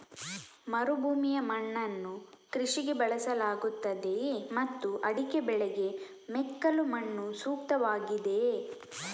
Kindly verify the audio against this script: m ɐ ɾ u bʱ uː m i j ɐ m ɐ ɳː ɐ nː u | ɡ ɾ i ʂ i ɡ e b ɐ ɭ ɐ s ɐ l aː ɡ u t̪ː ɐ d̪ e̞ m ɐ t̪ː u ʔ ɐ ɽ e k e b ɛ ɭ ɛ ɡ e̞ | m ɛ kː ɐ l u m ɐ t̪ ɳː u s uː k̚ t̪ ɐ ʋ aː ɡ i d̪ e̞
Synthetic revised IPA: m ɐ ɾ u bʱ uː m i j ɐ m ɐ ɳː ɐ nː u | k ɾ i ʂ i ɡ e b ɐ ɭ ɐ s ɐ l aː ɡ u t̪ː ɐ d̪ e̞ m ɐ t̪ː u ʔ ɐ ɽ i k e b ɛ ɭ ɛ ɡ e̞ | m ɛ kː ɐ l u m ɐ ɳː u s uː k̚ t̪ ɐ ʋ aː ɡ i d̪ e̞